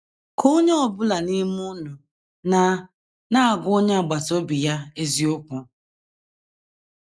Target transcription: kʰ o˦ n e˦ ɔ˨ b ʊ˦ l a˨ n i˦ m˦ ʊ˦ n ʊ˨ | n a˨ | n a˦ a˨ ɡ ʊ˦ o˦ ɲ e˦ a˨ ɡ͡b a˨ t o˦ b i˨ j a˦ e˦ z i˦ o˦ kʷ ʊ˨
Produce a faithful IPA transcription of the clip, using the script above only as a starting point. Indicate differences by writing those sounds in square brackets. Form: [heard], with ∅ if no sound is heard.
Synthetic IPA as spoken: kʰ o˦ [ɲ] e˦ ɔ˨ b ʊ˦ l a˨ n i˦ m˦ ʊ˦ n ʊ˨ | n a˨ | n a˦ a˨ ɡ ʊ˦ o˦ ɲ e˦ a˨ ɡ͡b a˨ t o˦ b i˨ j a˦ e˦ z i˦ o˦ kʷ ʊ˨